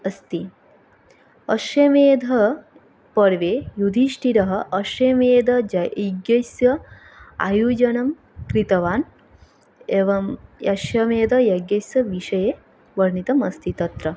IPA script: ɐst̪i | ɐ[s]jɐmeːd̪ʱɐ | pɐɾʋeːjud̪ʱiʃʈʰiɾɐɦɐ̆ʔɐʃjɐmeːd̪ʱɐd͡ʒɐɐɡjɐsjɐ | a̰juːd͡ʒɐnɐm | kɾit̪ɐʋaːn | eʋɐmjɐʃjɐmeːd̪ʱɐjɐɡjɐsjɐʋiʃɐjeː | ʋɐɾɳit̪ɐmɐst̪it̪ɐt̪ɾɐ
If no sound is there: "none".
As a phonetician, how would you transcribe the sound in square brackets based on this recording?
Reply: ʃ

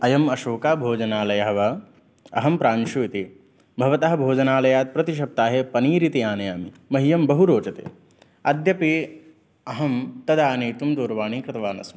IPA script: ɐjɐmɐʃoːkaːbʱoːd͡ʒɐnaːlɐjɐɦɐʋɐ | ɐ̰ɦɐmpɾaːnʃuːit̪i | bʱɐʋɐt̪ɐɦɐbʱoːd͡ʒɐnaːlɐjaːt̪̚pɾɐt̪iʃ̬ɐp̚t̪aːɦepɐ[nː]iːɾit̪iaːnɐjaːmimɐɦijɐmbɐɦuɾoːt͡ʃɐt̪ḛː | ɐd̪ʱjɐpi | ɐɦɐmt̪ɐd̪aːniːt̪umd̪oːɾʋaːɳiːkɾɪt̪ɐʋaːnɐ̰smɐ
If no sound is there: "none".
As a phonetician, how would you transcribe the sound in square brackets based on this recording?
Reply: n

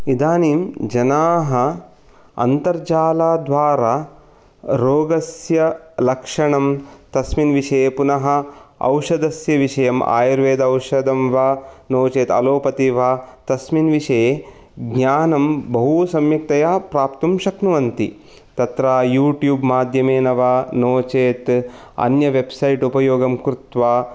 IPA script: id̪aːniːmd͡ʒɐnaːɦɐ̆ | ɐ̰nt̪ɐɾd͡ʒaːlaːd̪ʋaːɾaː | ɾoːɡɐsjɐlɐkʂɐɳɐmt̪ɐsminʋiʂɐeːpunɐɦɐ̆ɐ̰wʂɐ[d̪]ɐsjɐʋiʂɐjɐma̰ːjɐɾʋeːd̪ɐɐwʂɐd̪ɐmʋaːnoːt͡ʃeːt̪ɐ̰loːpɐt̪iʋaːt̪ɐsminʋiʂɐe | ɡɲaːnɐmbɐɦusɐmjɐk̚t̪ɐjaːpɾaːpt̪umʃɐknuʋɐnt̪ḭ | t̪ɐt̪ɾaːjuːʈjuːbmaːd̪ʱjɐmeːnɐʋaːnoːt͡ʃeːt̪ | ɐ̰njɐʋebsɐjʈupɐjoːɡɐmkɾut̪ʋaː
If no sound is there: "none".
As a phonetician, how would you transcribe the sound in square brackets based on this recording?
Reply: d̪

